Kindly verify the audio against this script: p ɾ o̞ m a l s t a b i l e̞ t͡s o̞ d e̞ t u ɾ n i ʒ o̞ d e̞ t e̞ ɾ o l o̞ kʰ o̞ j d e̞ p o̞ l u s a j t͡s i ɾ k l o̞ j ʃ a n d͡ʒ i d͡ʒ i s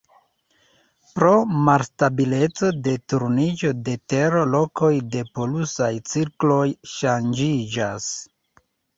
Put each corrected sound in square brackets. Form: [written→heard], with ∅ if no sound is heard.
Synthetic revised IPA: p ɾ o̞ m a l s t a b i l e̞ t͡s o̞ d e̞ t u ɾ n i [ʒ→d͡ʒ] o̞ d e̞ t e̞ ɾ o l o̞ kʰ o̞ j d e̞ p o̞ l u s a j t͡s i ɾ k l o̞ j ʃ a n d͡ʒ i d͡ʒ [i→a] s